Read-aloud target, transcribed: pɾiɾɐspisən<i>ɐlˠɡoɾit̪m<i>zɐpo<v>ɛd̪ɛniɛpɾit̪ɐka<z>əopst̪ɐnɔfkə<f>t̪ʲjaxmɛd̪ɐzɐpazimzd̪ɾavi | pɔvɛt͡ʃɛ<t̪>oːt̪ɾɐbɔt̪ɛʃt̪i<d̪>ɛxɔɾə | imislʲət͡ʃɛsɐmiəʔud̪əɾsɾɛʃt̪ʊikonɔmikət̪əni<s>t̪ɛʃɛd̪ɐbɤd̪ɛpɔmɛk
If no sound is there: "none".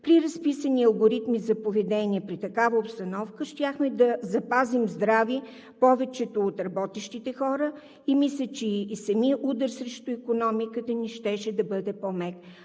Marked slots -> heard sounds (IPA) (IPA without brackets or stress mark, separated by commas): i, i, v, v, ʃ, t̪, t̪, ʃ